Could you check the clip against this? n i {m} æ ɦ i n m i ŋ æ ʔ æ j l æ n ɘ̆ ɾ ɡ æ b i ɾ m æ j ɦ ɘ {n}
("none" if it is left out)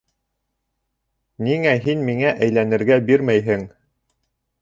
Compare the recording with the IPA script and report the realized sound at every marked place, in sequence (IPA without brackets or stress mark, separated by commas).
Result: ŋ, ŋ